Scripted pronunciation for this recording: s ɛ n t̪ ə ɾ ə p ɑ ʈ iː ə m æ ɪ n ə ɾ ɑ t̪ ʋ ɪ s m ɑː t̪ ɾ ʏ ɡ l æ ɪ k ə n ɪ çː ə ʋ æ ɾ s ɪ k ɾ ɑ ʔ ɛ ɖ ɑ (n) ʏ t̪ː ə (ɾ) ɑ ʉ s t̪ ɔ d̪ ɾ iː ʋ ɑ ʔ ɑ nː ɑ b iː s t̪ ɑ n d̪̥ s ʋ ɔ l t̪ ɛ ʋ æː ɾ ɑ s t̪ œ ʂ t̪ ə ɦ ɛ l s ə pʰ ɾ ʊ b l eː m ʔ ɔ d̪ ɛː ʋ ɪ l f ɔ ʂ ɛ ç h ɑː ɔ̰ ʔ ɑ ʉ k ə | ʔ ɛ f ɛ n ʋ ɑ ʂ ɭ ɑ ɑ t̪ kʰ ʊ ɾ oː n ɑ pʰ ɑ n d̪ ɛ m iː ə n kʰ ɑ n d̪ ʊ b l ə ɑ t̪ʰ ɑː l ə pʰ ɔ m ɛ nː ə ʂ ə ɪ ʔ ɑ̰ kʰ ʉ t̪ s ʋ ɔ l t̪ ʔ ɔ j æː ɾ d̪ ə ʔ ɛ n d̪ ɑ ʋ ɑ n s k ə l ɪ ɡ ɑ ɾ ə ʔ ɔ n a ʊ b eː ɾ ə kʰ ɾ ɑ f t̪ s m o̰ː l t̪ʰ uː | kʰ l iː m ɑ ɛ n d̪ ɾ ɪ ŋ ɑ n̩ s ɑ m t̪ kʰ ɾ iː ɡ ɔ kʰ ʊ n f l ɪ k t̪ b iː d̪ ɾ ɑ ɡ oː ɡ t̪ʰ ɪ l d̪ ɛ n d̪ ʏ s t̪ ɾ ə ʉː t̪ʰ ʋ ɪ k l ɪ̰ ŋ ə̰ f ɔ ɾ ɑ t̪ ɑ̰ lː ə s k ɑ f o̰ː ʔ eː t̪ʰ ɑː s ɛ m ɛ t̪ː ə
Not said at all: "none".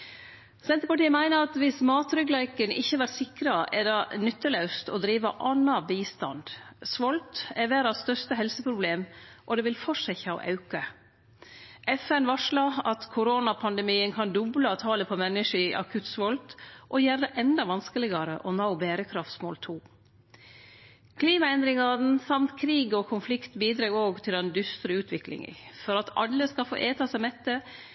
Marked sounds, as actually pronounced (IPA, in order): n, l

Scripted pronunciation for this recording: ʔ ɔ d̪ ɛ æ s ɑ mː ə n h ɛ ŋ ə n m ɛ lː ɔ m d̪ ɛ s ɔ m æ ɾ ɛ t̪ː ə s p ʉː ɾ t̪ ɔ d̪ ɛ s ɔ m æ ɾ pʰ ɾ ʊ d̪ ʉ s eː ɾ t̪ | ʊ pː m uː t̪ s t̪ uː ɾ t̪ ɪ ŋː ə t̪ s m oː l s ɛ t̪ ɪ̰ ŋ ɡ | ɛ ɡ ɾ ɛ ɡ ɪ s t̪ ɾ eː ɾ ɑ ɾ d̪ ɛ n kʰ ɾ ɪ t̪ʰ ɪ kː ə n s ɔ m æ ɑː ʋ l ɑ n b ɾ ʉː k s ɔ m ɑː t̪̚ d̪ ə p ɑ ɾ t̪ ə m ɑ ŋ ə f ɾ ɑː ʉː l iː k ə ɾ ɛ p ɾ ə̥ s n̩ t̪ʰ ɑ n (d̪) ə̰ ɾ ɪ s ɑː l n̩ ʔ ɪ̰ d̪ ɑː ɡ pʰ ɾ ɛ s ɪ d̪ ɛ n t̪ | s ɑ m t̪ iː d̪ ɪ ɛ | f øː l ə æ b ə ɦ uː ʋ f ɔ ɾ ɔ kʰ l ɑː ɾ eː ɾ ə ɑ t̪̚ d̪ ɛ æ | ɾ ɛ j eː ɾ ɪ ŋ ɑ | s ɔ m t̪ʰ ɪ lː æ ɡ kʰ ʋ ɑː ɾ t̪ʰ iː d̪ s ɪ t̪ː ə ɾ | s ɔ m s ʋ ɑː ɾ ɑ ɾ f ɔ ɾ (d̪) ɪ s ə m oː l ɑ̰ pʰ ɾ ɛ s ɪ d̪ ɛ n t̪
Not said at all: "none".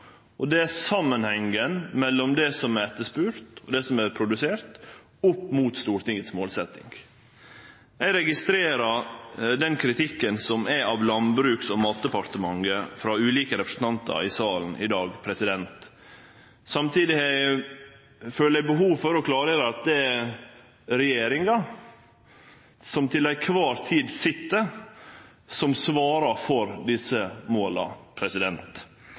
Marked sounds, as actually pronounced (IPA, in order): t̪, d̪

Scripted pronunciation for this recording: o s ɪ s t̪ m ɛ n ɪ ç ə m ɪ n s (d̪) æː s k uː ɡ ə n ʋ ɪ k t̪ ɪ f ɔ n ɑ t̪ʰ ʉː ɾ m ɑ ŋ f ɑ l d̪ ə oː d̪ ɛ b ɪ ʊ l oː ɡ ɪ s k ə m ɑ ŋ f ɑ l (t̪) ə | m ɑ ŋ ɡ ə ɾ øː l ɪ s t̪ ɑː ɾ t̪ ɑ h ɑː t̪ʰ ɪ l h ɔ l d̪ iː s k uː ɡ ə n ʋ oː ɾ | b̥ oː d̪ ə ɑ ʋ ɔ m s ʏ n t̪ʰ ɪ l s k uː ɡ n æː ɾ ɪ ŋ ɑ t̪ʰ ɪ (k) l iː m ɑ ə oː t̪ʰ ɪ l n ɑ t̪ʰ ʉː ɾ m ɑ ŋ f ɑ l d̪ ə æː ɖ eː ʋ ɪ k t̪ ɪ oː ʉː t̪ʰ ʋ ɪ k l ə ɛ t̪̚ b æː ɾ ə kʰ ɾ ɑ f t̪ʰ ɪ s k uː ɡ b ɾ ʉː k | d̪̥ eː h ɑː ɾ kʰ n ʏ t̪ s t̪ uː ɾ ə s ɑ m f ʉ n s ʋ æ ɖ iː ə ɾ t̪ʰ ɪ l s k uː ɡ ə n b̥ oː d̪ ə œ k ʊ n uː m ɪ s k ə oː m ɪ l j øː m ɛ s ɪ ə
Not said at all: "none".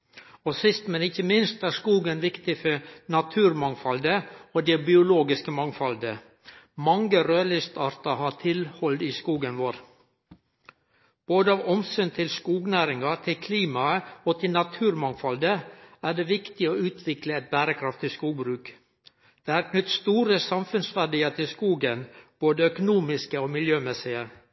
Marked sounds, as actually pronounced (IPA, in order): t̪, d̪, kʰ

